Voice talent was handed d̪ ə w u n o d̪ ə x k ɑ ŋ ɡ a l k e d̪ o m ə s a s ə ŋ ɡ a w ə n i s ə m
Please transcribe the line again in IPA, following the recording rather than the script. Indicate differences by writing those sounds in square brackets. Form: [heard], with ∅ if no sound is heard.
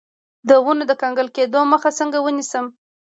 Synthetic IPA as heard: d̪ ə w u n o d̪ ə [∅] k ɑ ŋ ɡ [ə] l k e d̪ o m ə [x] a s ə ŋ ɡ a w ə n i s ə m